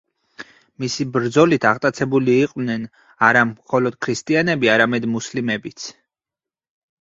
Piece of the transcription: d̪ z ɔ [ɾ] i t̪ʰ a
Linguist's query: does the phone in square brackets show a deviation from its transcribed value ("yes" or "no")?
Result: yes